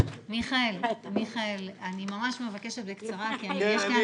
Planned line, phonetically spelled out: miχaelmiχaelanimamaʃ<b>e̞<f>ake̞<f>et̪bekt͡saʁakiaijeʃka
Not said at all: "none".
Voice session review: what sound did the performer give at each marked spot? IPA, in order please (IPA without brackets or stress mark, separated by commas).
m, v, ʃ